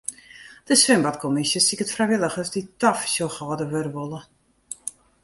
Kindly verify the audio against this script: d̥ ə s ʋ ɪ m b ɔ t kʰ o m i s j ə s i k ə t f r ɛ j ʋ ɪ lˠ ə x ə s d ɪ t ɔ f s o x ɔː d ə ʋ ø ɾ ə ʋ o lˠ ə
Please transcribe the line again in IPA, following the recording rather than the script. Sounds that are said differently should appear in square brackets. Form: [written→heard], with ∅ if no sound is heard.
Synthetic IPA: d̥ ə s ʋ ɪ m b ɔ t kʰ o m i s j ə s i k ə t f r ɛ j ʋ ɪ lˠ ə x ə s d [ɪ→i] t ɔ f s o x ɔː d ə ʋ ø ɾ ə ʋ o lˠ ə